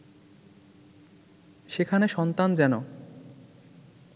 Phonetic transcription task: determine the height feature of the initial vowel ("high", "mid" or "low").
mid